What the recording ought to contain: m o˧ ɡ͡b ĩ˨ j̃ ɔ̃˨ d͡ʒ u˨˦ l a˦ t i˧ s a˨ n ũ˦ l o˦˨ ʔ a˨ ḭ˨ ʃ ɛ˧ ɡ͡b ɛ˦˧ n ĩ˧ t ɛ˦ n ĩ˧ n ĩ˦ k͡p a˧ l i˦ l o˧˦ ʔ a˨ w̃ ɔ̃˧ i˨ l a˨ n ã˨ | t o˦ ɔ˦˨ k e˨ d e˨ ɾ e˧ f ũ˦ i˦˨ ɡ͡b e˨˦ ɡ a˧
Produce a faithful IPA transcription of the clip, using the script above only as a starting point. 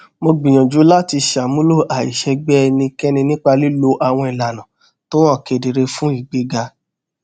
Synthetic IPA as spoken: m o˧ ɡ͡b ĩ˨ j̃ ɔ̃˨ d͡ʒ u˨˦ l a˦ t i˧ ʃ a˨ m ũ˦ l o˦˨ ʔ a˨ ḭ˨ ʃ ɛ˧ ɡ͡b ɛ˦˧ n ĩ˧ k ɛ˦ n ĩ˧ n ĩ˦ k͡p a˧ l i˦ l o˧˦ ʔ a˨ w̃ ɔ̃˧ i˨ l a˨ n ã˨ | t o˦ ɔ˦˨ k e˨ d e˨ ɾ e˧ f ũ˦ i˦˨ ɡ͡b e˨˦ ɡ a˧